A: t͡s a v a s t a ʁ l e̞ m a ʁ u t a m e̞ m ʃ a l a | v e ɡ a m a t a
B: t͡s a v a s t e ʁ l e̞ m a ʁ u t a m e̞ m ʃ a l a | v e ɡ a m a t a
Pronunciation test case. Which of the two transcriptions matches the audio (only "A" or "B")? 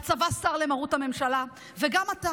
A